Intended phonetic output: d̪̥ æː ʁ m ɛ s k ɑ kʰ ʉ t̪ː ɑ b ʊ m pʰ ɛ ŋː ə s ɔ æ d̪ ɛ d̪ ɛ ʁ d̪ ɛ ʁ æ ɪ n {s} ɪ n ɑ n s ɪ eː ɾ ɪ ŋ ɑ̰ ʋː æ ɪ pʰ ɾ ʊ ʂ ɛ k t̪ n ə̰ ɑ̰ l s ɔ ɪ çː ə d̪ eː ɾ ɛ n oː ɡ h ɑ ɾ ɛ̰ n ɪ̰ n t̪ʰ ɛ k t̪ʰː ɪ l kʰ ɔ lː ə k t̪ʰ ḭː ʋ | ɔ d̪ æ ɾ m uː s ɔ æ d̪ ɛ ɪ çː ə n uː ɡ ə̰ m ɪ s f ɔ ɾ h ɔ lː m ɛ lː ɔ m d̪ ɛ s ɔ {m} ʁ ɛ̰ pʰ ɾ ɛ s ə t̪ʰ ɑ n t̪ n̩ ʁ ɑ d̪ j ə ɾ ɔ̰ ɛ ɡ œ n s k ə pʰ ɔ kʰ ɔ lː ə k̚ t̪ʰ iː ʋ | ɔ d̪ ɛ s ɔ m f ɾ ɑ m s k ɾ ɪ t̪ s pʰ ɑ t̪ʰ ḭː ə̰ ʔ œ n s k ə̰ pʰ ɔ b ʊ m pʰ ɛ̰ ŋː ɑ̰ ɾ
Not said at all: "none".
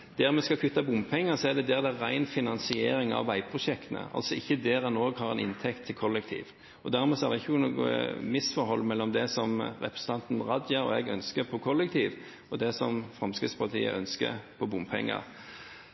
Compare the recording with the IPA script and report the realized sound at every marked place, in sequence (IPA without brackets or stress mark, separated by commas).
f, m